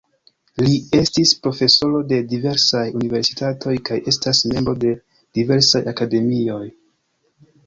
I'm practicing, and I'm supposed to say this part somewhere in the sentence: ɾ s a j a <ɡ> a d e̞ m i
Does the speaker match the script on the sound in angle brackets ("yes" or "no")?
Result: no